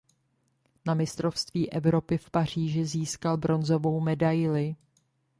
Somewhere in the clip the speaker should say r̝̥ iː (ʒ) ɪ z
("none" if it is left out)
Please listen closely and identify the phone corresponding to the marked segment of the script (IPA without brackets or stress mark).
ʒ